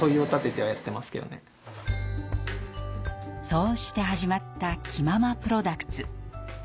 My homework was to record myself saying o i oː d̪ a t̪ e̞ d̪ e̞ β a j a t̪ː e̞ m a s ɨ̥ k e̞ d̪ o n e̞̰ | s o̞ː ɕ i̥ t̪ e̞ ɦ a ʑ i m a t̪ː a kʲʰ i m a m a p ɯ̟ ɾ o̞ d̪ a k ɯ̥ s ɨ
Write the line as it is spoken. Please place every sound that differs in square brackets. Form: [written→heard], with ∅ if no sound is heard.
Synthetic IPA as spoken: o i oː [d̪→t̪] a t̪ e̞ [d̪→t̪] e̞ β a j a t̪ː e̞ m a s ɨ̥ k e̞ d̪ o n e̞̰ | s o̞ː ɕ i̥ t̪ e̞ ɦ a ʑ i m a t̪ː a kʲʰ i m a m a p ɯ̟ ɾ o̞ d̪ a k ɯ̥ [s→t͡s] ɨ